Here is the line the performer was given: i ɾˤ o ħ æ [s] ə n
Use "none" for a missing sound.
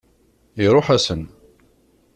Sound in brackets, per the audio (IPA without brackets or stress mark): s